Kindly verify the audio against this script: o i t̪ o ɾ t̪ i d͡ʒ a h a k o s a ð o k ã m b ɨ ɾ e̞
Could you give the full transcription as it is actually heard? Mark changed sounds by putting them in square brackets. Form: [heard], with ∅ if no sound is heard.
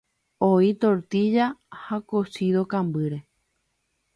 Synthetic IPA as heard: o i t̪ o ɾ t̪ i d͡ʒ a h a k o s [i] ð o k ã m b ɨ ɾ e̞